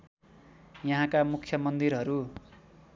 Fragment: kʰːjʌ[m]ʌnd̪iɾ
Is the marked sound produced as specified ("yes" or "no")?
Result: yes